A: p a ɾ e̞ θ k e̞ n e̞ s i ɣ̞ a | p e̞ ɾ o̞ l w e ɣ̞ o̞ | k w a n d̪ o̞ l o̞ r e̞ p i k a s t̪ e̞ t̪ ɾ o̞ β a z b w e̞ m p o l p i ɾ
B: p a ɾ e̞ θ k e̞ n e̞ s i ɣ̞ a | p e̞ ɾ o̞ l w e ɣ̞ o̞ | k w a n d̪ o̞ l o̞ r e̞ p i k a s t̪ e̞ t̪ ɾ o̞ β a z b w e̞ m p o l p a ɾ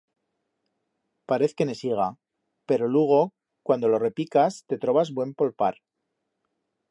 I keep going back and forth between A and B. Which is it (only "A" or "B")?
B